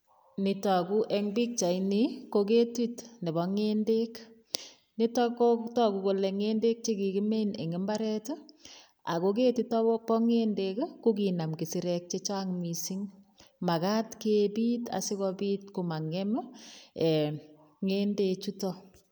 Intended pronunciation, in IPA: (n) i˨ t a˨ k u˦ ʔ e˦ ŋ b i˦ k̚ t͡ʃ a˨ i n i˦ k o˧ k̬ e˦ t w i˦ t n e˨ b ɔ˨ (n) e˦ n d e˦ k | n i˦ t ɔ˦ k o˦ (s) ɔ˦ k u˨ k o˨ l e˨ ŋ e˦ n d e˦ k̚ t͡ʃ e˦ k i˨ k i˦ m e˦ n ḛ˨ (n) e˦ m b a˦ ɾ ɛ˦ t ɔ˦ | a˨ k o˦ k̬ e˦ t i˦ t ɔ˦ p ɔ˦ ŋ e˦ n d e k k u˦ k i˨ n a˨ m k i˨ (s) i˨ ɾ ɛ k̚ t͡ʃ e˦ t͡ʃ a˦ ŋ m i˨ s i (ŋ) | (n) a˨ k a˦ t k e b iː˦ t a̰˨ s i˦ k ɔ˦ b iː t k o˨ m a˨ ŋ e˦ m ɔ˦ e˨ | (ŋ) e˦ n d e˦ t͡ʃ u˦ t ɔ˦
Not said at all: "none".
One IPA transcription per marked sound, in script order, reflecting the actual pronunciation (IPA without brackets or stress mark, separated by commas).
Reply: n, ŋ, t, ŋ, s, ŋ, m, ŋ